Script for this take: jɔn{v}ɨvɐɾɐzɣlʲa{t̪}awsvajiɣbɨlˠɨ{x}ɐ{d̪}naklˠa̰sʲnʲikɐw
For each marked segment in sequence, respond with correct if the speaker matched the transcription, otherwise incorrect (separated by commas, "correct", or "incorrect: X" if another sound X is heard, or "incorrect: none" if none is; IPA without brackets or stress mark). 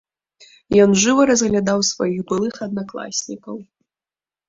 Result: incorrect: ʐ, incorrect: d̪, correct, correct